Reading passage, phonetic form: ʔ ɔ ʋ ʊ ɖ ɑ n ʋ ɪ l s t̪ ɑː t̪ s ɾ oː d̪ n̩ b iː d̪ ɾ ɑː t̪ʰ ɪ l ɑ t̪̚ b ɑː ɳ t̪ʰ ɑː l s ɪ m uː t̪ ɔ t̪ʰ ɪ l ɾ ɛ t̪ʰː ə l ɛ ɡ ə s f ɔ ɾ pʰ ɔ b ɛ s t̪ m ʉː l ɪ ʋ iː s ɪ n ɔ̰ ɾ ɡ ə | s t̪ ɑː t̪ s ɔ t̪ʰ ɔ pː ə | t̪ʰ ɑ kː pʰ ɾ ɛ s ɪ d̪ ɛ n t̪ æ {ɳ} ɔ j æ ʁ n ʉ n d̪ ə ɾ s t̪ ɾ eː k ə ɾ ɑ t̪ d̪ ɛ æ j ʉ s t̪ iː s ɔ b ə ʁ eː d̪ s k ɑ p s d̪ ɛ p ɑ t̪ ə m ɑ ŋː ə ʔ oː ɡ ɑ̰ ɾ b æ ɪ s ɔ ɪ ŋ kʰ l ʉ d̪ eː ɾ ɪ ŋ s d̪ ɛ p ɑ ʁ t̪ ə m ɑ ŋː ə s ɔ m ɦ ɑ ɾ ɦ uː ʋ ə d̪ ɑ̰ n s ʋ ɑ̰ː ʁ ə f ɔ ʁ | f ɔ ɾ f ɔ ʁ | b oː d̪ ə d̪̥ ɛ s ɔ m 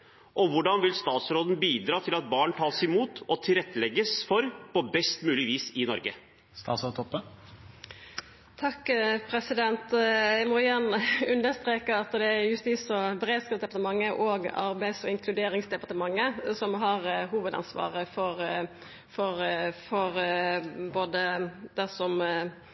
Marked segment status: incorrect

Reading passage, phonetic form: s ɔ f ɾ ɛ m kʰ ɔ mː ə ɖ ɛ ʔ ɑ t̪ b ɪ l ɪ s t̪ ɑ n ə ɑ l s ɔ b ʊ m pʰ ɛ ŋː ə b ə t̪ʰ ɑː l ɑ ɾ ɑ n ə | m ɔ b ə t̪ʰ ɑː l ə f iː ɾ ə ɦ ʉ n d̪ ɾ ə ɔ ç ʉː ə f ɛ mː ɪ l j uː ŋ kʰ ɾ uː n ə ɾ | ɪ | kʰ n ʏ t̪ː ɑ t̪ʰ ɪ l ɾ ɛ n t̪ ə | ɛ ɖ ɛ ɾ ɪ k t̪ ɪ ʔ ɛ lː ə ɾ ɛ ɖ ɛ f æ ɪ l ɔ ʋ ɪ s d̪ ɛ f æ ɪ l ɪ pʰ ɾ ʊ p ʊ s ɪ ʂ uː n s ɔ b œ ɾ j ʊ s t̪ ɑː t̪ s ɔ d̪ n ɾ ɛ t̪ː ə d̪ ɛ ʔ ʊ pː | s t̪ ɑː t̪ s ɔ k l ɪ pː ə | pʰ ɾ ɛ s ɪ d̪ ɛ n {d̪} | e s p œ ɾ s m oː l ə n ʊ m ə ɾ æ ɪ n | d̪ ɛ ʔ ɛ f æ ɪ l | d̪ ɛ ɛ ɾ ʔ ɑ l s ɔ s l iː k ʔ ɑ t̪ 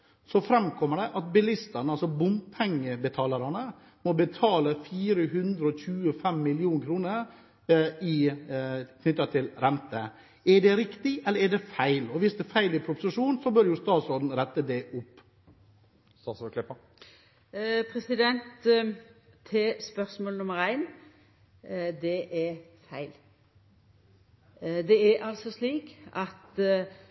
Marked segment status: incorrect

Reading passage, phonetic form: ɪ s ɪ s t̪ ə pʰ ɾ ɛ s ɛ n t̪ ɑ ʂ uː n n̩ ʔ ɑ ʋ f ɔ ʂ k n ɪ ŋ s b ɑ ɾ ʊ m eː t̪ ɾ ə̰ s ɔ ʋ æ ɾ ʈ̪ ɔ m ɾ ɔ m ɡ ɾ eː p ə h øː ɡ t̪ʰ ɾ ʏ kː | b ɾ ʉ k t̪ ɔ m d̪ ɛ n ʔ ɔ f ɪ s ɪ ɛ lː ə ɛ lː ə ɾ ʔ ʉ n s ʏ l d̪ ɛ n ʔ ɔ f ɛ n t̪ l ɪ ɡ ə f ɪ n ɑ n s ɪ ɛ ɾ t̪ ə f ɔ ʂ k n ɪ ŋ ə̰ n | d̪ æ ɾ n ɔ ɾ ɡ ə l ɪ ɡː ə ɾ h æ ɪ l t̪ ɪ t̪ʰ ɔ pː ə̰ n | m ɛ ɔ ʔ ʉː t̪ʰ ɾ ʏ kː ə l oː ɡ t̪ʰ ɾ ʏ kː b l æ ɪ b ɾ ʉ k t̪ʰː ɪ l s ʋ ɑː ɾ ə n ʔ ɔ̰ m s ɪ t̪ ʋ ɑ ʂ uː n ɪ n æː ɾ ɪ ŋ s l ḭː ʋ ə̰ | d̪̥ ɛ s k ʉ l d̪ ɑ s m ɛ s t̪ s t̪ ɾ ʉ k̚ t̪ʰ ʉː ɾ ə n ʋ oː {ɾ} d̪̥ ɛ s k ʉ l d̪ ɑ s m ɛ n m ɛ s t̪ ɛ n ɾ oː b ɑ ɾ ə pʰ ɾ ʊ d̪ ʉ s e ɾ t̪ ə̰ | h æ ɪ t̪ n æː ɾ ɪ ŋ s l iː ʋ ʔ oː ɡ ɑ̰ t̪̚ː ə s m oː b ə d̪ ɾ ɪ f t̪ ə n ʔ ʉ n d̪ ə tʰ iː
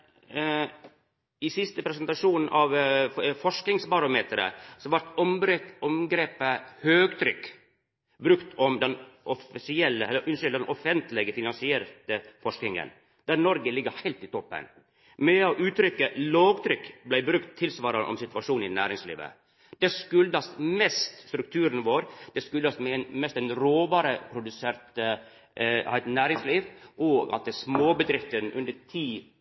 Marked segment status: correct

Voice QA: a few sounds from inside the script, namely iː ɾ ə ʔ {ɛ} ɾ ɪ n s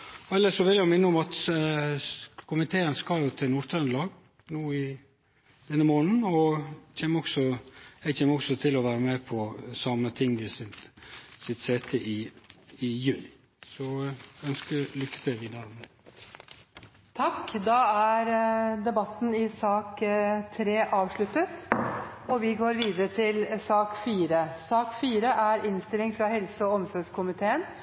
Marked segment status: incorrect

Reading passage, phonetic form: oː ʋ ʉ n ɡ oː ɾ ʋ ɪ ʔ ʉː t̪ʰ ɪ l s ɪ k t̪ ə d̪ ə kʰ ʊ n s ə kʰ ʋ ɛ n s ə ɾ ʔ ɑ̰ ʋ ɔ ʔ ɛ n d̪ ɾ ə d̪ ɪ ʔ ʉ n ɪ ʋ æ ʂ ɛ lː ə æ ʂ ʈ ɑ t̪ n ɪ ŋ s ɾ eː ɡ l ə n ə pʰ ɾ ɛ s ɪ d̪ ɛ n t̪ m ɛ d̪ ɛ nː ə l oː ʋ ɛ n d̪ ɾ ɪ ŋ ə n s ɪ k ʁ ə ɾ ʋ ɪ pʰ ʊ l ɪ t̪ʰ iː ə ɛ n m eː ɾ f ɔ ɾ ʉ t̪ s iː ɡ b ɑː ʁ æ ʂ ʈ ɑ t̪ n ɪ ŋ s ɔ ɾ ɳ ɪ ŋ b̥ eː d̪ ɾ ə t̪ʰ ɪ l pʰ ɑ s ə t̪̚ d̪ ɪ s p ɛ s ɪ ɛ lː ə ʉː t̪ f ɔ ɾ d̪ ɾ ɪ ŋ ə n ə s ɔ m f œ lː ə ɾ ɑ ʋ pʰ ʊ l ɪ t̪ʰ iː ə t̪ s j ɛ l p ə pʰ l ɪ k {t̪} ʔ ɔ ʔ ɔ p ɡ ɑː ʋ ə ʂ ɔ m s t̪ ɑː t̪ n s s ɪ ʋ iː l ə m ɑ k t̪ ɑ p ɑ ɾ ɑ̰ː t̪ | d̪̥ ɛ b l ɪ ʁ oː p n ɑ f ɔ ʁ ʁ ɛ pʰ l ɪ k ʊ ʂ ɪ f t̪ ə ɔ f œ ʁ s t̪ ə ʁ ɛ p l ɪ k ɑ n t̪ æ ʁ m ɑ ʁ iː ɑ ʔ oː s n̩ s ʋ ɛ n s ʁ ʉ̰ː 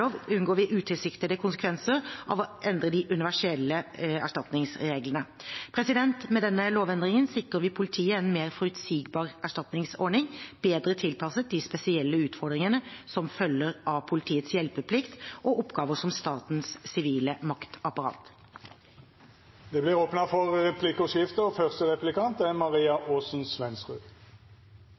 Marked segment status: correct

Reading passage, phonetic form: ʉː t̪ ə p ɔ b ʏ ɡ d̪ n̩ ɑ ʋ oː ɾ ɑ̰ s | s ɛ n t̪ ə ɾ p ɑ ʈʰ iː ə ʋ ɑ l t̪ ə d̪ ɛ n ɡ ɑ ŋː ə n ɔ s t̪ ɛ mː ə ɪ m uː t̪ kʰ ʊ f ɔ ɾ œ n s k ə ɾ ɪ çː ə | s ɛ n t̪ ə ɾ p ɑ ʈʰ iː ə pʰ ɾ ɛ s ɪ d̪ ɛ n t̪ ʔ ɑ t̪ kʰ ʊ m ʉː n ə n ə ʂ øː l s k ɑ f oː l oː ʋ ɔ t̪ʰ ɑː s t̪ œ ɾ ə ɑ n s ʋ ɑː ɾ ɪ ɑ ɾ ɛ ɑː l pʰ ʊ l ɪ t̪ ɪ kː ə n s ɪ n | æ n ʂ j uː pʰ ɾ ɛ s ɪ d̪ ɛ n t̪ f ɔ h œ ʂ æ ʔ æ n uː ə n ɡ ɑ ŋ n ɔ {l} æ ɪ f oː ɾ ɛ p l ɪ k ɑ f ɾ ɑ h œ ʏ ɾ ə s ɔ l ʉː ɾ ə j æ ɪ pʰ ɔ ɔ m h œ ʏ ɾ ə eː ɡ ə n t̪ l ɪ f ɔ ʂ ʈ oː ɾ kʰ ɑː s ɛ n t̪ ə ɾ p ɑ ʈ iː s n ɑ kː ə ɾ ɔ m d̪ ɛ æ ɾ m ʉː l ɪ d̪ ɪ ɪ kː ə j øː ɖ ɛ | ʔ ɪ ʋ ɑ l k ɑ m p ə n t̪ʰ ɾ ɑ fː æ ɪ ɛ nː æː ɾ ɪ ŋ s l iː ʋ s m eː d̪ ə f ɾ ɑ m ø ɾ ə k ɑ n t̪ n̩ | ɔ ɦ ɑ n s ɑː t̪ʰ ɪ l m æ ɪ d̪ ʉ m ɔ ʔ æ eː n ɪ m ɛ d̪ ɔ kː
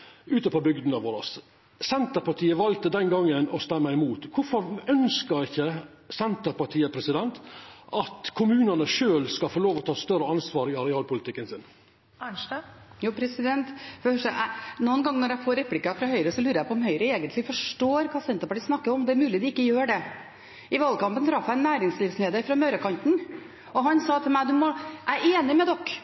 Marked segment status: incorrect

